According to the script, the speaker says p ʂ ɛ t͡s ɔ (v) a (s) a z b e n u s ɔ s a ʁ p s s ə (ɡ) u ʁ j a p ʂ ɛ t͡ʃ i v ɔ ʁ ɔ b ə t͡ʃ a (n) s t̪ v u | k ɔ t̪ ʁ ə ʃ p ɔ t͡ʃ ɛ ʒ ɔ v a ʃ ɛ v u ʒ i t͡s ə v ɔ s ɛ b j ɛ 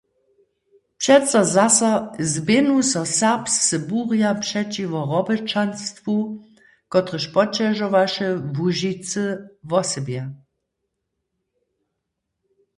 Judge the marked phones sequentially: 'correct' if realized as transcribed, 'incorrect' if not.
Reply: incorrect: z, correct, incorrect: b, correct

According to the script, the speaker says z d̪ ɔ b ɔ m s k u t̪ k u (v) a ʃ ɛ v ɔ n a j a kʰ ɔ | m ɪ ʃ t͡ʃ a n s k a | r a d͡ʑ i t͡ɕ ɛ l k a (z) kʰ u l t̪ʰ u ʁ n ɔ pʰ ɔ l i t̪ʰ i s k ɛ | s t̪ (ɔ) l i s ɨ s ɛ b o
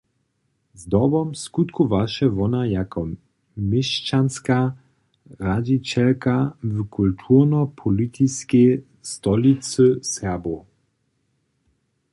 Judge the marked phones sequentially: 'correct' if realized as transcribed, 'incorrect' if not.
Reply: correct, incorrect: v, correct

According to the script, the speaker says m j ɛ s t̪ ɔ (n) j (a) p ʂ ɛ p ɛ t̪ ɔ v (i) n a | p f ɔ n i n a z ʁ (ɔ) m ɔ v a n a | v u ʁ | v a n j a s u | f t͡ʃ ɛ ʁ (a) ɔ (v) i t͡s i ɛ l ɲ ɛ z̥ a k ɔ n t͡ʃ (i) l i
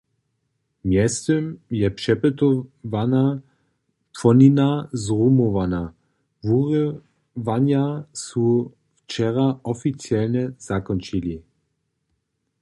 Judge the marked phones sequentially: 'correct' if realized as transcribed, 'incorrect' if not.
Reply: incorrect: m, incorrect: ɛ, incorrect: a, incorrect: u, correct, incorrect: f, correct

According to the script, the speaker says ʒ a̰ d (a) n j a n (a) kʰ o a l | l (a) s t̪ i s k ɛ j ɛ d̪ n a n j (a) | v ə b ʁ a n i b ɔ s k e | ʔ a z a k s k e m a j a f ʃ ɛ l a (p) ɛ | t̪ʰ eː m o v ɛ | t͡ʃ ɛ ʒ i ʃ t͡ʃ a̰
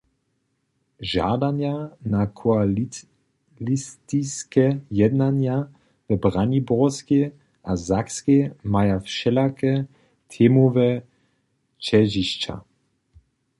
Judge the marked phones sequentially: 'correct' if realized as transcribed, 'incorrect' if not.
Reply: correct, correct, incorrect: i, correct, incorrect: k

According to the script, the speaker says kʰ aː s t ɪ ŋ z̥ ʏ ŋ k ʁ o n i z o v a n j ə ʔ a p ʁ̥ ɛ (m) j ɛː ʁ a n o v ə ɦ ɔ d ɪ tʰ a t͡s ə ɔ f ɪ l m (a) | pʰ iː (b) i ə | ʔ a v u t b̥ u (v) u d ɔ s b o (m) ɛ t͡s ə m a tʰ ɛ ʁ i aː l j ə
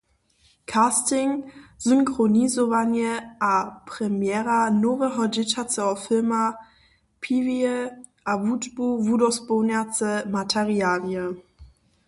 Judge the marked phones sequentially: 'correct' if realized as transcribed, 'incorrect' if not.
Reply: correct, correct, incorrect: v, correct, incorrect: n

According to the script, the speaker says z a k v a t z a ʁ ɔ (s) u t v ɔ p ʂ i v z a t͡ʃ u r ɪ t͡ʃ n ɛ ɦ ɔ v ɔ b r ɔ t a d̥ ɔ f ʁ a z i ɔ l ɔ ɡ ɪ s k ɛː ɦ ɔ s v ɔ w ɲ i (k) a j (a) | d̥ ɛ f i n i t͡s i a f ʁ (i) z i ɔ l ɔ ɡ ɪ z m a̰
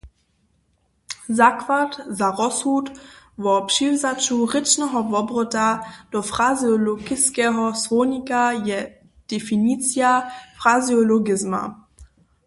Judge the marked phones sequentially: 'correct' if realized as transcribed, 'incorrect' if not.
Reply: correct, correct, incorrect: ɛ, incorrect: a

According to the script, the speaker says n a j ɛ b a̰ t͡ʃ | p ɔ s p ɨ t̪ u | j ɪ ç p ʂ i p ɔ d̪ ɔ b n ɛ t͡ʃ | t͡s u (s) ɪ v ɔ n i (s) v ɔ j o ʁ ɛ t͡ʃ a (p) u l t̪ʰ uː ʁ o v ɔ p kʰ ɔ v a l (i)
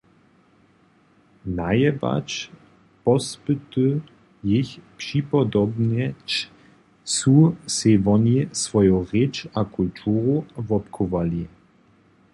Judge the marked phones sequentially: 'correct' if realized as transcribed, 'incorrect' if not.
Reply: correct, correct, incorrect: k, correct

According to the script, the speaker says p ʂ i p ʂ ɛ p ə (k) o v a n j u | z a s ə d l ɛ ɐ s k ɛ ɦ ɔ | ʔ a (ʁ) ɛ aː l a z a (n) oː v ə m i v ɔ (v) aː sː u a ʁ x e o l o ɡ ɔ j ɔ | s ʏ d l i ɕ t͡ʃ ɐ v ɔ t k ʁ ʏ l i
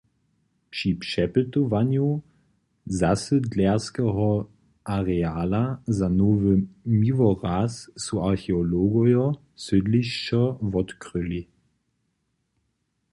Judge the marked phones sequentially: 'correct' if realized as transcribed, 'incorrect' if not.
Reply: incorrect: t, correct, correct, incorrect: ʁ

